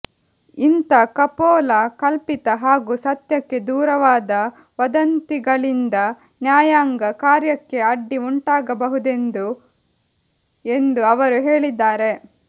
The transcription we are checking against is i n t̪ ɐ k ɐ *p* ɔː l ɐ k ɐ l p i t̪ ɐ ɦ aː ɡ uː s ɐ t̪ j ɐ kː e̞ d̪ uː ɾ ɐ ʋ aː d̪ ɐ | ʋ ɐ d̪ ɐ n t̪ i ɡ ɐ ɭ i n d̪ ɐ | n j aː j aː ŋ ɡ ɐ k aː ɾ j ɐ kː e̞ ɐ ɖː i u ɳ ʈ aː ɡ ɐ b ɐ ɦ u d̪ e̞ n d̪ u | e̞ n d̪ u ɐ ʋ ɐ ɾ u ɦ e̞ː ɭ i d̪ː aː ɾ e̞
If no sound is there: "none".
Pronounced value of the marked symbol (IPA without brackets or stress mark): p